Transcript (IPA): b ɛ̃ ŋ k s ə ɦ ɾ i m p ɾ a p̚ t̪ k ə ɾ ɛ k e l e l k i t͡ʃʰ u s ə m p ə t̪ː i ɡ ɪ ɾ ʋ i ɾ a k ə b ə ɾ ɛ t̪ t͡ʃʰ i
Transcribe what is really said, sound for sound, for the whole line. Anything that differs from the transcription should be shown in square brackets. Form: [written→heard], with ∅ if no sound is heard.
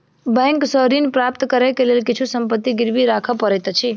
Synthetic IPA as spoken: b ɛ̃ ŋ k s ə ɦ ɾ i [m→n] p ɾ a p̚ t̪ k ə ɾ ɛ k e l e l k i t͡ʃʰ u s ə m p ə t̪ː i ɡ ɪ ɾ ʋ i ɾ a [k→kʰ] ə [b→p] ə ɾ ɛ t̪ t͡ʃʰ i